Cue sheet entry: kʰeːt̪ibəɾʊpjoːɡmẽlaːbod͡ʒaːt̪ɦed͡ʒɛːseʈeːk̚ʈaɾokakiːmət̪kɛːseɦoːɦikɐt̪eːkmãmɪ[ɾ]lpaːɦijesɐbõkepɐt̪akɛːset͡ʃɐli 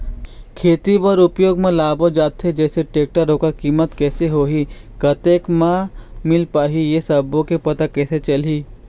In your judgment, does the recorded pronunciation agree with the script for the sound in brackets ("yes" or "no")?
no